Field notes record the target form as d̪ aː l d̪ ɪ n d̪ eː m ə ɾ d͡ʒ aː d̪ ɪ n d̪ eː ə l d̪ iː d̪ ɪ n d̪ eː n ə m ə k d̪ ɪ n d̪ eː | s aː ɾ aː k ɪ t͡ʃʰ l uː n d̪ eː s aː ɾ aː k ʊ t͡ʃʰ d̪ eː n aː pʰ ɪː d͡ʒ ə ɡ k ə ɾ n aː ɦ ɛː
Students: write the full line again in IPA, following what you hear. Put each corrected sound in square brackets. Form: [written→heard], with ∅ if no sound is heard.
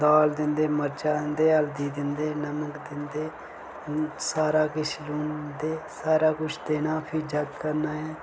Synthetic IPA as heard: d̪ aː l d̪ ɪ n d̪ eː m ə ɾ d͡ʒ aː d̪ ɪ n d̪ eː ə l d̪ iː d̪ ɪ n d̪ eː n ə m ə k d̪ ɪ n d̪ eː | s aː ɾ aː k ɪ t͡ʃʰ l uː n d̪ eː s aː ɾ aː k ʊ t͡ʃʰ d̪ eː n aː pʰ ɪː d͡ʒ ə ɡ k ə ɾ n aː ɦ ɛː